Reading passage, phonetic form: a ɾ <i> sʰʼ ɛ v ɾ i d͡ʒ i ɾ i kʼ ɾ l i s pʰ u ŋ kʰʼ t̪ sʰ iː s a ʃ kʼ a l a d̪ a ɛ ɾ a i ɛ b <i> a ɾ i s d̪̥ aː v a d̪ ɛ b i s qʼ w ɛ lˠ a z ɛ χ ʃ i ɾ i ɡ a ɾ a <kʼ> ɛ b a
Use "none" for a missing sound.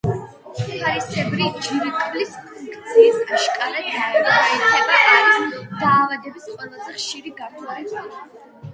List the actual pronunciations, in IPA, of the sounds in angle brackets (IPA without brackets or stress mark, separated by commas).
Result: i, a, none